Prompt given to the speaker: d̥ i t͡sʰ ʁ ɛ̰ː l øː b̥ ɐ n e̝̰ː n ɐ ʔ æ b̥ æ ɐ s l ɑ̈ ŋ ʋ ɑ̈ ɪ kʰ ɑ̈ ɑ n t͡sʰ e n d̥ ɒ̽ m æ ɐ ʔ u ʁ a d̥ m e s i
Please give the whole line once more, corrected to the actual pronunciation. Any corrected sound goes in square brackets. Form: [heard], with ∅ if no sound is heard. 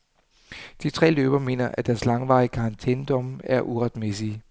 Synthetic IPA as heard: d̥ i t͡sʰ ʁ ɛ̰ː l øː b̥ ɐ [m] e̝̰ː n ɐ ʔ æ [d̥] æ ɐ s l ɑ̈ ŋ ʋ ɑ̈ ɪ kʰ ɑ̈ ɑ n t͡sʰ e n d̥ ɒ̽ m æ ɐ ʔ u ʁ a d̥ m e s i